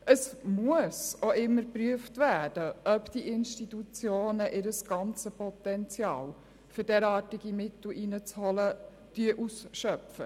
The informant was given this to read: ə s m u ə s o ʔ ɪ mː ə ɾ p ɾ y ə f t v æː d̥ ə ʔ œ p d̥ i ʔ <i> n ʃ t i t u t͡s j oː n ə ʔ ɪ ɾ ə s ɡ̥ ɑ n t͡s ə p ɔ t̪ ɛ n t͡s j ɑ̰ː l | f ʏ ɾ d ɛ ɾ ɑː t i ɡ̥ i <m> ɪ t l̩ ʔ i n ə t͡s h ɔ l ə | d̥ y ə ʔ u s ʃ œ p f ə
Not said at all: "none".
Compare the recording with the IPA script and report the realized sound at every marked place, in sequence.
ɪ, m

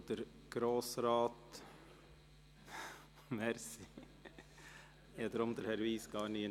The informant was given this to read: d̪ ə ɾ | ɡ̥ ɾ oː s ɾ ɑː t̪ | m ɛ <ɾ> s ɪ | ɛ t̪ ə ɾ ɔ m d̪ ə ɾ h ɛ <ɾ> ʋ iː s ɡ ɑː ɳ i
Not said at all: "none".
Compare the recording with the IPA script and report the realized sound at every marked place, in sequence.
ɾ, ɾ

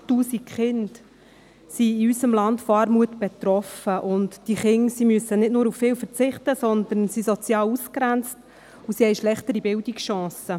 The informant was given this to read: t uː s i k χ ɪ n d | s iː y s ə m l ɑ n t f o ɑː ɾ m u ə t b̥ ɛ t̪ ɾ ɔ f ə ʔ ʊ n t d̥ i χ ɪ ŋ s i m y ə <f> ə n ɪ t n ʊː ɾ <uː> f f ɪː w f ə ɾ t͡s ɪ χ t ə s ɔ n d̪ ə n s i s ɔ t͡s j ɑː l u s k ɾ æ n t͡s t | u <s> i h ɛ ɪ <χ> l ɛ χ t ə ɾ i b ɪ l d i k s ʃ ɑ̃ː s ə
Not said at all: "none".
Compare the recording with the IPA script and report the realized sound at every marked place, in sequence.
s, u, s, ʃ

